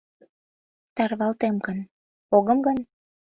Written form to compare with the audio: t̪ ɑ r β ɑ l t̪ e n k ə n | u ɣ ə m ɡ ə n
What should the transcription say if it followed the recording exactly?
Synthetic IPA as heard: t̪ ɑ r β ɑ l t̪ e m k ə n | o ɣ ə m ɡ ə n